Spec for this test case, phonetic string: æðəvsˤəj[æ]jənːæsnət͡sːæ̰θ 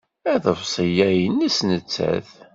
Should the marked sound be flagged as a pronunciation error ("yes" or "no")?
no